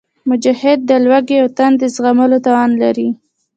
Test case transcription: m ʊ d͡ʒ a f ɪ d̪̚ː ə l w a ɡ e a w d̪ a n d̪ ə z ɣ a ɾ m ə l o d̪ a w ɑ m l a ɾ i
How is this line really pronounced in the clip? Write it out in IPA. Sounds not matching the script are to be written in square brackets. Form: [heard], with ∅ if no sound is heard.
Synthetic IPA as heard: m ʊ d͡ʒ a [h] ɪ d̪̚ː ə l w a ɡ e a w [t̪] a n d̪ ə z ɣ a [∅] m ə l o [t̪] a w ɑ [n] l a ɾ i